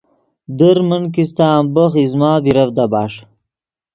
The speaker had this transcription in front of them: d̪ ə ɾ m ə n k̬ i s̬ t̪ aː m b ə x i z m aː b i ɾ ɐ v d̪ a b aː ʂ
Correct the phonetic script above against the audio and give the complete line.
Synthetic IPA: d̪ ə ɾ m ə n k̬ i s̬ t̪ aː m b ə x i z m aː b i ɾ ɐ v d̪ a b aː ʂ